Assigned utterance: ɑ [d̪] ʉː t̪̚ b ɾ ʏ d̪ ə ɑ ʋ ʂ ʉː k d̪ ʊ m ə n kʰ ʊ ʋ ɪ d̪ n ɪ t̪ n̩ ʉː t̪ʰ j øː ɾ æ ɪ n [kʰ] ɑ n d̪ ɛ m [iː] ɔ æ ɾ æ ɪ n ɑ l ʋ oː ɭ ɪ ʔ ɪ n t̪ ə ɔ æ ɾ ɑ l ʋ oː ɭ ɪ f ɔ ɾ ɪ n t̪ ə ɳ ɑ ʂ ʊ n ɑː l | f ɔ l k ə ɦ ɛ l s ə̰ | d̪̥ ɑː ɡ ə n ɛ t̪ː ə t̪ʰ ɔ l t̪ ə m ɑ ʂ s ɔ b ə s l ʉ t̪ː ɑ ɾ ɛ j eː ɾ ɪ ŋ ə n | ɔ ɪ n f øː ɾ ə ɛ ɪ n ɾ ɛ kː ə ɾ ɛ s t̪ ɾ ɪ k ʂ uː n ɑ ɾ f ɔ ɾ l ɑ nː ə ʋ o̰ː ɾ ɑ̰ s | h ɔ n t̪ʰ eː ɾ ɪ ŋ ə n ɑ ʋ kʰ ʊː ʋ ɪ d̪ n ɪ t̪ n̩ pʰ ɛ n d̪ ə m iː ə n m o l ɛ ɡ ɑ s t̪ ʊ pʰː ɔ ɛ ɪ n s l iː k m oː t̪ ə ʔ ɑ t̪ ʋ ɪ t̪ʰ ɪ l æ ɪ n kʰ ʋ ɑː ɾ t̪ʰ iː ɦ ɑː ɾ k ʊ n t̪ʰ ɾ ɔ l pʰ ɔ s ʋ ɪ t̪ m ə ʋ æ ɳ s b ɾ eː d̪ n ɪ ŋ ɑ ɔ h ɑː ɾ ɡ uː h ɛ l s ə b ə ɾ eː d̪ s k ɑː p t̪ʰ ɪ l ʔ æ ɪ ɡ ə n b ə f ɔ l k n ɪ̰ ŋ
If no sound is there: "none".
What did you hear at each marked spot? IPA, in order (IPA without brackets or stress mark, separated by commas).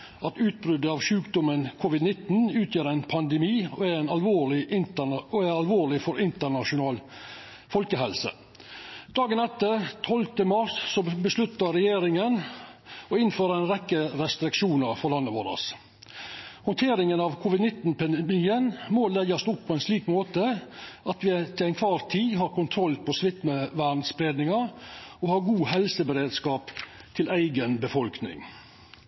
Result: t̪, pʰ, iː